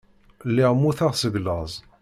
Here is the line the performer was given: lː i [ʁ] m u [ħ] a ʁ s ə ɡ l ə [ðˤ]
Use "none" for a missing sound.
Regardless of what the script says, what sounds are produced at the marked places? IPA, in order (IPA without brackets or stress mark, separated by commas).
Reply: ʁ, θ, zˤ